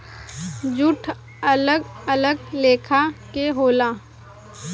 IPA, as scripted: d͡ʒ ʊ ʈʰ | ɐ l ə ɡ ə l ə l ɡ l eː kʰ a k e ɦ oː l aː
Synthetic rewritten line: d͡ʒ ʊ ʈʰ | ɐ l ə ɡ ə l ə ɡ l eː kʰ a k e ɦ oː l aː